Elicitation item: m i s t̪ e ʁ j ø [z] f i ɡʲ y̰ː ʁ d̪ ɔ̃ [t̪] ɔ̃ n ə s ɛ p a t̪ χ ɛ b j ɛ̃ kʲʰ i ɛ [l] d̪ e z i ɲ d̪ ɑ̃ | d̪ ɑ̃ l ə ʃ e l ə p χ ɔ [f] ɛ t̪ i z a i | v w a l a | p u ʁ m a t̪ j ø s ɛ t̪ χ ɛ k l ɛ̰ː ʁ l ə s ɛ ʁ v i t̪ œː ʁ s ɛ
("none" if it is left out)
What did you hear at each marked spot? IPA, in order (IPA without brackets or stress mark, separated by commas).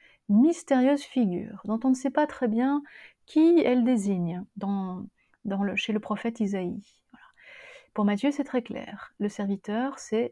z, t̪, l, f